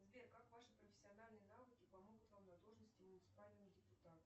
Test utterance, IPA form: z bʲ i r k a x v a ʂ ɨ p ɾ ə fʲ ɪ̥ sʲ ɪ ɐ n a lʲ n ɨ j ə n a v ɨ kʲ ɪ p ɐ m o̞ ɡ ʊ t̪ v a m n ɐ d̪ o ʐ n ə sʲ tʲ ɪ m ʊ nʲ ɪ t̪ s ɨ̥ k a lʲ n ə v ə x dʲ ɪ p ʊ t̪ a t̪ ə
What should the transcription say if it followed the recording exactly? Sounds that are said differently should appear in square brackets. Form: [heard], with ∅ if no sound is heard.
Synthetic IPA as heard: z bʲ [e] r k a [k] v a ʂ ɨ p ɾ ə fʲ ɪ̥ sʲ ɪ ɐ n a lʲ n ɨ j ə n a v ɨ kʲ ɪ p ɐ m o̞ ɡ ʊ t̪ v a m n ɐ d̪ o ʐ n ə sʲ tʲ ɪ m ʊ nʲ ɪ t̪ s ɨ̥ [p] a lʲ n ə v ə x dʲ ɪ p ʊ t̪ a t̪ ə